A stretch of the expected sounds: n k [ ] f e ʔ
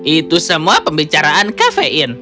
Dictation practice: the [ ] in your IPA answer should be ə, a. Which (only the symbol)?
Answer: a